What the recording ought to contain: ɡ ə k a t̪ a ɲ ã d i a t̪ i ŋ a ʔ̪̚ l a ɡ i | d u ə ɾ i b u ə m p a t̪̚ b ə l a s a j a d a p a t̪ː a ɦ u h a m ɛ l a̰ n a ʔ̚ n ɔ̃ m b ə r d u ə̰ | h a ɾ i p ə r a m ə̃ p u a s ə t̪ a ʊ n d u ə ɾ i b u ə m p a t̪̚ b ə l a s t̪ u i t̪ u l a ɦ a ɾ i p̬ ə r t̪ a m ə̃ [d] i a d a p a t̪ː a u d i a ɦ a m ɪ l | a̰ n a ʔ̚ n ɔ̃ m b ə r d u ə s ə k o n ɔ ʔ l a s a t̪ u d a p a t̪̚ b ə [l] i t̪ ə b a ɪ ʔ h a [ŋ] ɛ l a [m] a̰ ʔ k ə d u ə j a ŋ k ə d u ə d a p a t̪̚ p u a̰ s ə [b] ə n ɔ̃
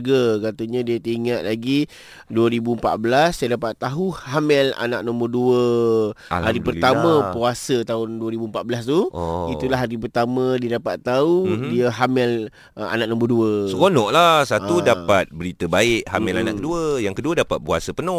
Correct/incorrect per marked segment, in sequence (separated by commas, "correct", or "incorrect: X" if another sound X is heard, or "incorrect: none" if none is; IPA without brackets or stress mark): correct, incorrect: ɾ, incorrect: m, incorrect: n, incorrect: p